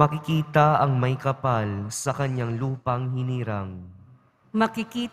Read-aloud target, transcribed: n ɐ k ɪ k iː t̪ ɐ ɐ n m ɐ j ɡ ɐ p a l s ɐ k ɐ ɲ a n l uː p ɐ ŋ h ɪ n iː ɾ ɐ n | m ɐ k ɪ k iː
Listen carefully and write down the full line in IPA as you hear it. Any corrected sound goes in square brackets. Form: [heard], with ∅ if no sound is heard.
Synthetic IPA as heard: [m] ɐ k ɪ k iː t̪ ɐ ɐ [ŋ] m ɐ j [k] ɐ p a l s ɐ k ɐ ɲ a [ŋ] l uː p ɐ ŋ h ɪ n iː ɾ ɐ [ŋ] | m ɐ k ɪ k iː

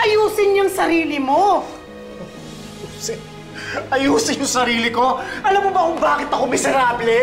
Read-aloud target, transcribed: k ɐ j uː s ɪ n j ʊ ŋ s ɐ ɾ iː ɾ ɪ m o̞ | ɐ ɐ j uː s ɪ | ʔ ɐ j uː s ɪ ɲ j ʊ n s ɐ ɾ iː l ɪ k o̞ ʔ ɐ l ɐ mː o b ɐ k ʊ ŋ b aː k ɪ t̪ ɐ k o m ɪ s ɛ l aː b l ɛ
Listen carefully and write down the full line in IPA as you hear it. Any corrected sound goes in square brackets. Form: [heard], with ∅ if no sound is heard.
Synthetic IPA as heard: [ʔ] ɐ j uː s ɪ n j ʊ ŋ s ɐ ɾ iː [l] ɪ m o̞ | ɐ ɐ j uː s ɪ | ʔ ɐ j uː s ɪ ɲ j ʊ [ŋ] s ɐ ɾ iː l ɪ k o̞ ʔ ɐ l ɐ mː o b ɐ k ʊ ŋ b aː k ɪ t̪ ɐ k o m ɪ s ɛ [ɾ] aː b l ɛ

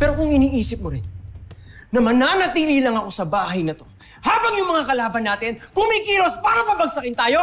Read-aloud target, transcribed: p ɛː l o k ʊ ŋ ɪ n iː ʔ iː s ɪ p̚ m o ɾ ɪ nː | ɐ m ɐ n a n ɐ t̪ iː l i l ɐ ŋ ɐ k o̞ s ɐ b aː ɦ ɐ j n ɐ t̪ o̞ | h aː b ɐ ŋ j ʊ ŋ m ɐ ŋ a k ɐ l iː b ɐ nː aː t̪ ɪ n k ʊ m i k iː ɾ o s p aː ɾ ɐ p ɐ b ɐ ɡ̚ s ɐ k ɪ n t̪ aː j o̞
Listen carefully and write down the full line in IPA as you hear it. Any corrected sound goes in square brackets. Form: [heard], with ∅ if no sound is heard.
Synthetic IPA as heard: p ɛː [ɾ] o k ʊ ŋ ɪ n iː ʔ iː s ɪ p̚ m o ɾ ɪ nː | ɐ m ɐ n a n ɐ t̪ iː l i l ɐ ŋ ɐ k o̞ s ɐ b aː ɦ ɐ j n ɐ t̪ o̞ | h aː b ɐ ŋ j ʊ ŋ m ɐ ŋ a k ɐ l [aː] b ɐ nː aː t̪ ɪ n k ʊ m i k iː ɾ o s p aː ɾ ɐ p ɐ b ɐ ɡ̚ s ɐ k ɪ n t̪ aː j o̞

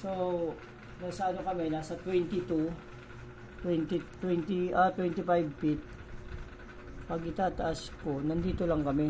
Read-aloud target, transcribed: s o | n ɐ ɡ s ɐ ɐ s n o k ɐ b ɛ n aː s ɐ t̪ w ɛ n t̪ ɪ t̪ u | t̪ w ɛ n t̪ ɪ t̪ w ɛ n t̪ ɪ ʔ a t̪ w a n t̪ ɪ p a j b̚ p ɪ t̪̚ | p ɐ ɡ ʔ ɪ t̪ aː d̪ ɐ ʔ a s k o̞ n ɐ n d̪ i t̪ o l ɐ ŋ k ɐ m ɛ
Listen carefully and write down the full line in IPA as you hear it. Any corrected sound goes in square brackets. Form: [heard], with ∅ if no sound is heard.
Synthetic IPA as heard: s o | n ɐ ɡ s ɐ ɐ [∅] n o k ɐ [m] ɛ n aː s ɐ t̪ w ɛ n t̪ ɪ t̪ u | t̪ w ɛ n t̪ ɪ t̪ w ɛ n t̪ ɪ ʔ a t̪ w [ɛ] n t̪ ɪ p a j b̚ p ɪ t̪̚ | p ɐ ɡ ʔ ɪ t̪ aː [t̪] ɐ ʔ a s k o̞ n ɐ n d̪ [iː] t̪ o l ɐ ŋ k ɐ m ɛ

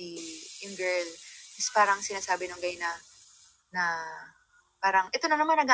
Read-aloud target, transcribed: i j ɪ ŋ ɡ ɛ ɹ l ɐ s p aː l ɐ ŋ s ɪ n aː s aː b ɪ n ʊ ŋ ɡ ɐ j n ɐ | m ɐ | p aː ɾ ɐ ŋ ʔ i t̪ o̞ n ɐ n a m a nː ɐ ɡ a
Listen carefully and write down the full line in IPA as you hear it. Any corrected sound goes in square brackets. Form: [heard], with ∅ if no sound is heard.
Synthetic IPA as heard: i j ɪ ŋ ɡ ɛ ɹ l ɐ s p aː [ɾ] ɐ ŋ s ɪ n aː s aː b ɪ n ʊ ŋ ɡ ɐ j n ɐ | [n] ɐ | p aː ɾ ɐ ŋ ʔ [ɛ] t̪ o̞ n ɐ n [ɐ] m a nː ɐ ɡ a

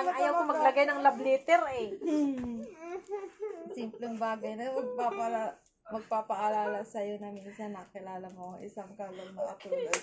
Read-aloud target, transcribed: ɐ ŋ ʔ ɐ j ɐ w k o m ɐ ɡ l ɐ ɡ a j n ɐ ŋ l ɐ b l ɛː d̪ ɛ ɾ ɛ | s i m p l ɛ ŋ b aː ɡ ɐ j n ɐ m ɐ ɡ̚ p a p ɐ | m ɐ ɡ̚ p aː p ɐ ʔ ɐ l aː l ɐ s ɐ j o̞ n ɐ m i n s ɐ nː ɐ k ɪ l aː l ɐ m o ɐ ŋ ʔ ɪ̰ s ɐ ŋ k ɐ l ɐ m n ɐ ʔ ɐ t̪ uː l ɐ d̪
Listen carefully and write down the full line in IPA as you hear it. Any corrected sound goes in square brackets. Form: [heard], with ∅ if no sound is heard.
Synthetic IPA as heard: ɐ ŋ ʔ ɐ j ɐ w k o m ɐ ɡ l ɐ ɡ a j n ɐ ŋ l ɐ b l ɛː [t̪] ɛ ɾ ɛ | s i m p l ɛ ŋ b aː ɡ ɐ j n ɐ m ɐ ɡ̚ p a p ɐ | m ɐ ɡ̚ p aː p ɐ ʔ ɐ l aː l ɐ s ɐ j o̞ n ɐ m i n s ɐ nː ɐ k ɪ l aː l ɐ m o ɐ ŋ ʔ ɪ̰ s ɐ ŋ k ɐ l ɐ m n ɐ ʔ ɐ t̪ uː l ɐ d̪

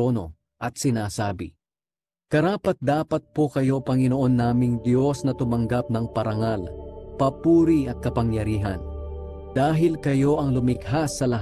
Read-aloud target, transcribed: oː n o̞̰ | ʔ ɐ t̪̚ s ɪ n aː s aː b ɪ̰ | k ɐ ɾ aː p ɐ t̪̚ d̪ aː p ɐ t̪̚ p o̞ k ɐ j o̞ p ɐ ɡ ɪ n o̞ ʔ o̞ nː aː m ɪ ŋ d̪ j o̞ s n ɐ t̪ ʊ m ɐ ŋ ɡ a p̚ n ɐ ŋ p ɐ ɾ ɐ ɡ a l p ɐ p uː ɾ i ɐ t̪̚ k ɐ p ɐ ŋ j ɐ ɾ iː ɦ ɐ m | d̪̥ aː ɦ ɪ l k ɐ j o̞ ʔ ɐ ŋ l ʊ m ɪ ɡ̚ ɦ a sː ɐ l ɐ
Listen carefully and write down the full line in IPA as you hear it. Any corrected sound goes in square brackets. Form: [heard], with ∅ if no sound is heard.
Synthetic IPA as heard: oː n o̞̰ | ʔ ɐ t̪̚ s ɪ n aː s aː b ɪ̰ | k ɐ ɾ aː p ɐ t̪̚ d̪ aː p ɐ t̪̚ p o̞ k ɐ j o̞ p ɐ [ŋ] ɪ n o̞ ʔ o̞ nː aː m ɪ ŋ d̪ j o̞ s n ɐ t̪ ʊ m ɐ ŋ ɡ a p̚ n ɐ ŋ p ɐ ɾ ɐ [ŋ] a l p ɐ p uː ɾ i ɐ t̪̚ k ɐ p ɐ ŋ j ɐ ɾ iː ɦ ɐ [n] | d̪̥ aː ɦ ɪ l k ɐ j o̞ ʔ ɐ ŋ l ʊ m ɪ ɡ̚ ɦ a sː ɐ l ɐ

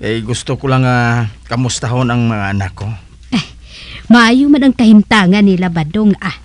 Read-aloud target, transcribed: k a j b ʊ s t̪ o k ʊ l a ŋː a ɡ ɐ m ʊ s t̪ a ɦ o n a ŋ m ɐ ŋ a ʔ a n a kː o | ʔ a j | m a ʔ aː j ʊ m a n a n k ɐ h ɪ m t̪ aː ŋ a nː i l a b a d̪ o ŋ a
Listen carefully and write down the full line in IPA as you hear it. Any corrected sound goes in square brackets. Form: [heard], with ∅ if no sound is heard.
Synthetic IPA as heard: k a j [ɡ] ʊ s t̪ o k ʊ l a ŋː a [k] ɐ m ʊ s t̪ a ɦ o n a ŋ m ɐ ŋ a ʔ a n a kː o | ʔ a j | m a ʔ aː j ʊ m a n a [ŋ] k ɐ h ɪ m t̪ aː ŋ a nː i l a b a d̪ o ŋ a

